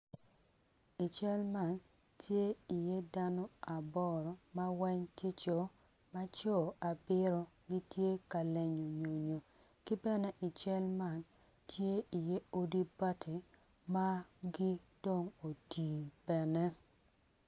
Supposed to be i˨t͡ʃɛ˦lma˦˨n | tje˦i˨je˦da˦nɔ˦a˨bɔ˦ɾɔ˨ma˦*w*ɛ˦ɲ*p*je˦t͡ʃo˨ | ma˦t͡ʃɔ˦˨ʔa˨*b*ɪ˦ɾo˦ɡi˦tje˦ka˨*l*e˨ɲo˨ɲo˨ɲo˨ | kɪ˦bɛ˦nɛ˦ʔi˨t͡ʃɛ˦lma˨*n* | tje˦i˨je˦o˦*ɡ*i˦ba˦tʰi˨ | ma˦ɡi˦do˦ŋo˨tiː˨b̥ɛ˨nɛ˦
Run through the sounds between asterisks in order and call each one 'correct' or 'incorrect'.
correct, incorrect: t, correct, correct, correct, incorrect: d

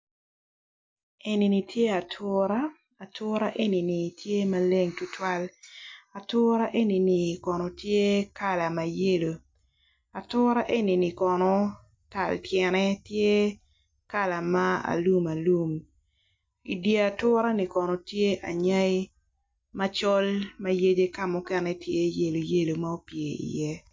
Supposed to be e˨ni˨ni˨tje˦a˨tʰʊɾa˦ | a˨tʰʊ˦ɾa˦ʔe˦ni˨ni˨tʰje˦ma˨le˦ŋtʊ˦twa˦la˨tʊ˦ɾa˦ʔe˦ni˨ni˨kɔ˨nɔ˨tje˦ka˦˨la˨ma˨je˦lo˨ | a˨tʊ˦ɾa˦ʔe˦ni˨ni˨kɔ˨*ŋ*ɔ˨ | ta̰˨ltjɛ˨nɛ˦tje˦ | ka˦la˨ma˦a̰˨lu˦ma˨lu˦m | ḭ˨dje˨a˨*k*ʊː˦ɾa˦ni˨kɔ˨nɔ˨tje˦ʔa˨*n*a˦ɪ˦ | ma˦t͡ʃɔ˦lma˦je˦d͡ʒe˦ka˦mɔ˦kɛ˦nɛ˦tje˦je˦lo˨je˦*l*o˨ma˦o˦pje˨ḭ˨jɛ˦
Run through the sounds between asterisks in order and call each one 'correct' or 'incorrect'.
incorrect: n, incorrect: t, incorrect: ɲ, correct

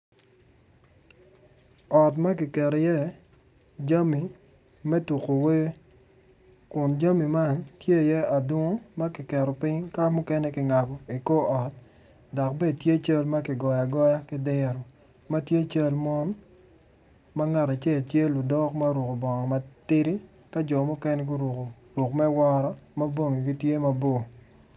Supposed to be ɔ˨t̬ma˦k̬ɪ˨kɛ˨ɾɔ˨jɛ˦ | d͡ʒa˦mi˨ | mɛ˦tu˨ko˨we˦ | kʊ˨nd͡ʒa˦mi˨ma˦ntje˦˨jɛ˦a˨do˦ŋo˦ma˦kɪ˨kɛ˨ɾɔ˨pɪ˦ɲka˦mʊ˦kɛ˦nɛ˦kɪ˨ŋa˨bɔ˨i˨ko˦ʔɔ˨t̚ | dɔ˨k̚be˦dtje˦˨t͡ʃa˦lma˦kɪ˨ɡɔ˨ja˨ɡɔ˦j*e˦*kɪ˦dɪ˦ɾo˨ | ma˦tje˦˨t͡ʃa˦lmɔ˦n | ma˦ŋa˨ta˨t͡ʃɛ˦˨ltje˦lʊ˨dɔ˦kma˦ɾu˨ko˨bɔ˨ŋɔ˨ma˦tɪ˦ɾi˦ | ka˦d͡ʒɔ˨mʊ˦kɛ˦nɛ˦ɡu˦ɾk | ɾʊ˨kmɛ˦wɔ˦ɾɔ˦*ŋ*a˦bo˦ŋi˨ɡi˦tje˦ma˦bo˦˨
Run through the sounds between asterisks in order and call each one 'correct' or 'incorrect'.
incorrect: a˦, incorrect: m

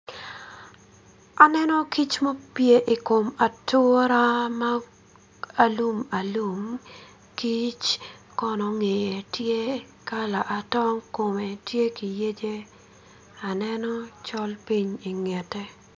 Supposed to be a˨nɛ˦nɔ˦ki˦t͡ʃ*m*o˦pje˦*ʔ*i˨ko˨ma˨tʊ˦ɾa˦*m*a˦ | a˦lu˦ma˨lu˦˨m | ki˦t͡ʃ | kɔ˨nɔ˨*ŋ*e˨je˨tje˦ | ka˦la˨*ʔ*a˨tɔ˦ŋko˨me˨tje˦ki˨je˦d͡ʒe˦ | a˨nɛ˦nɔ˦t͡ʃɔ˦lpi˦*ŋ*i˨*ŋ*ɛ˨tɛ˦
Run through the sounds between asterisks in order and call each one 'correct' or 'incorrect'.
correct, correct, correct, correct, correct, incorrect: ɲ, correct

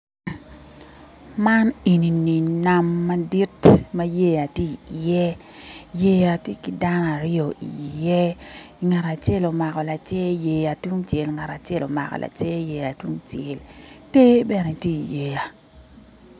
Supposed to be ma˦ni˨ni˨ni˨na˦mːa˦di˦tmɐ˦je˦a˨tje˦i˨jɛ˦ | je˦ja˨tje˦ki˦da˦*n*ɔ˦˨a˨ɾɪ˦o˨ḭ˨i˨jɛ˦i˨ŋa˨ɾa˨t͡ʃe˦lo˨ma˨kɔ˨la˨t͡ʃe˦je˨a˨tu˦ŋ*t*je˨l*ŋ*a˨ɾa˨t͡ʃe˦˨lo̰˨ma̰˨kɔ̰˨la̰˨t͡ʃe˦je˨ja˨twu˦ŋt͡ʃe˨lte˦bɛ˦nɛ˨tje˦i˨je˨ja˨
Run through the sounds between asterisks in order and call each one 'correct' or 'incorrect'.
correct, incorrect: t͡ʃ, correct

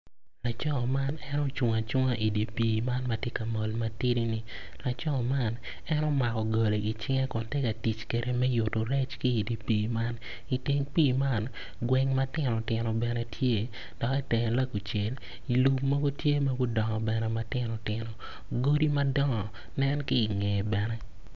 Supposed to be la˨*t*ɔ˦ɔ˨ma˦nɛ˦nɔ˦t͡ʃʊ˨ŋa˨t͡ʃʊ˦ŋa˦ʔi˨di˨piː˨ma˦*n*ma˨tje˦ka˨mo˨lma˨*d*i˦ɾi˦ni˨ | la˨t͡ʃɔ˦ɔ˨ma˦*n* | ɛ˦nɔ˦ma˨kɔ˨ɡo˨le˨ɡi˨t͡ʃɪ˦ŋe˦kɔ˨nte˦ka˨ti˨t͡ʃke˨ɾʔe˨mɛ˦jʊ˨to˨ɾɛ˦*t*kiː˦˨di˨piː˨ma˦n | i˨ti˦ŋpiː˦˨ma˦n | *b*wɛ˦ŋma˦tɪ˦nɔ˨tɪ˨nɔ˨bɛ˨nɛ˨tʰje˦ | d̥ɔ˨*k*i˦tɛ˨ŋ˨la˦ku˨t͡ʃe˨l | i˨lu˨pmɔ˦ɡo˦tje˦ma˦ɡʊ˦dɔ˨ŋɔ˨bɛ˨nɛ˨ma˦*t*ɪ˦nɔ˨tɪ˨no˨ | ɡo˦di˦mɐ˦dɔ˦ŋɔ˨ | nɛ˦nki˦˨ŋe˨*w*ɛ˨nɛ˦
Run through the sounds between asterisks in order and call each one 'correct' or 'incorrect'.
incorrect: t͡ʃ, correct, incorrect: t, correct, incorrect: t͡ʃ, incorrect: ɡ, correct, correct, incorrect: b

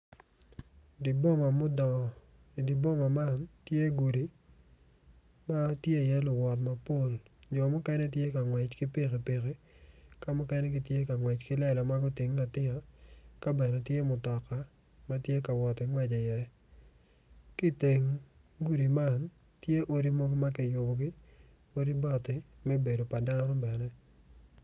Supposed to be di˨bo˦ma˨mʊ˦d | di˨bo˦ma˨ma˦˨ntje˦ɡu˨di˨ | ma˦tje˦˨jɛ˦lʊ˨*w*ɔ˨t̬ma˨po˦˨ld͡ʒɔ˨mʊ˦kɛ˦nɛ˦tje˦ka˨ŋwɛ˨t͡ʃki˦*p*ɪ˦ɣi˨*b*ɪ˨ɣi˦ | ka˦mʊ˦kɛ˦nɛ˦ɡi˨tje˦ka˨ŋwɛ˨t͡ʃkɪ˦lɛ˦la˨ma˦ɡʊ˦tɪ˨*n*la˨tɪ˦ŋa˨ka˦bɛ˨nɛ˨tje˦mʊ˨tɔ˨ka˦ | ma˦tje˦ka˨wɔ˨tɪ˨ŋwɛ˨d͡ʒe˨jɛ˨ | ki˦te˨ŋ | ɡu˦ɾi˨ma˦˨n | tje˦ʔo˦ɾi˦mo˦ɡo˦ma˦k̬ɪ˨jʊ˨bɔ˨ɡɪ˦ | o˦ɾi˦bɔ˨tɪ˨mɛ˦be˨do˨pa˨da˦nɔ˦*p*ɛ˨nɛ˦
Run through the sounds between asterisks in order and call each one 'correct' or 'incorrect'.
correct, correct, incorrect: p, incorrect: ŋ, incorrect: b

